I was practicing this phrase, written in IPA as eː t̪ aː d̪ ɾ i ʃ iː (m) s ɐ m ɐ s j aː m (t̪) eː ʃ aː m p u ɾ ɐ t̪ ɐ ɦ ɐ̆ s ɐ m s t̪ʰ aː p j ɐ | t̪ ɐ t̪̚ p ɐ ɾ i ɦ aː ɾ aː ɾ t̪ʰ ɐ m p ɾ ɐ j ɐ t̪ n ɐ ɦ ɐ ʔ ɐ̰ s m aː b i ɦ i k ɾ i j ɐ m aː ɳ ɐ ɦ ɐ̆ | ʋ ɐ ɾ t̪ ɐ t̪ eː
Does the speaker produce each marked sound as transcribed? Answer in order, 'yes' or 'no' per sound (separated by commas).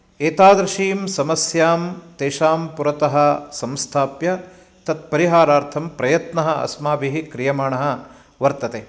yes, yes